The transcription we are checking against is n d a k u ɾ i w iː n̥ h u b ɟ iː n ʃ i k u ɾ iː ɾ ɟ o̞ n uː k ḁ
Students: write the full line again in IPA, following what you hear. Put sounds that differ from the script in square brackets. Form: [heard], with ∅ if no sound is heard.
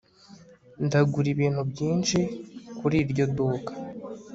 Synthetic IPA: n d a [ɡ] u ɾ i [β] iː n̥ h u b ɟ iː n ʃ i k u ɾ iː ɾ ɟ o̞ [d] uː k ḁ